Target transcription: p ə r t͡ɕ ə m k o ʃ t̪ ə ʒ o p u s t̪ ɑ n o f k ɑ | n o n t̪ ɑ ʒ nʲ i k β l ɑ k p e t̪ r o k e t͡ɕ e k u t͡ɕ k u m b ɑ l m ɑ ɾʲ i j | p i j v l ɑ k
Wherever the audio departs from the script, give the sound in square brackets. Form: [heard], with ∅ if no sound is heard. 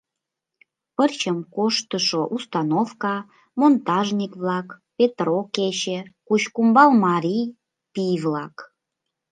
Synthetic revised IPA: p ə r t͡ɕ ə m k o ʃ t̪ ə [ʃ] o [ʔ] u s t̪ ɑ n o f k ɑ | [m] o n t̪ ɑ ʒ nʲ i k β l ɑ k p e t̪ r o k e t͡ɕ e k u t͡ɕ k u m b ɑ l m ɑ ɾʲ i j | p i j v l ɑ k